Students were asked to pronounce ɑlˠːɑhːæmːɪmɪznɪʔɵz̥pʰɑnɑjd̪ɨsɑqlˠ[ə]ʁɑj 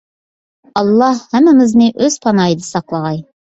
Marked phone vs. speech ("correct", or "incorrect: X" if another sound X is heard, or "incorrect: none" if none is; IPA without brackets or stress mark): incorrect: ɑ